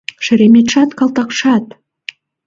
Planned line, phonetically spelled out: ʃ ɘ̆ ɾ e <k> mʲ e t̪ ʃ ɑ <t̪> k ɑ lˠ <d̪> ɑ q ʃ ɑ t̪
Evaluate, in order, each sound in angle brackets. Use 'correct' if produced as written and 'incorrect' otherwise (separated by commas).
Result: incorrect, correct, incorrect